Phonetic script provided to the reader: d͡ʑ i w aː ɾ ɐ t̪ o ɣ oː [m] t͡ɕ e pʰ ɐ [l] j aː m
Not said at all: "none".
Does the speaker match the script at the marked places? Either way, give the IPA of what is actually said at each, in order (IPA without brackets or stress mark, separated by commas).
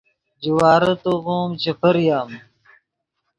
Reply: m, ɾ